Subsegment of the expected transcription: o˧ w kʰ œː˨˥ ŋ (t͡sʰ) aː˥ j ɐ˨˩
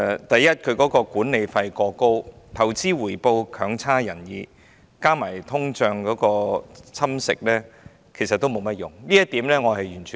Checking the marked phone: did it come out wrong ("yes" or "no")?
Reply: no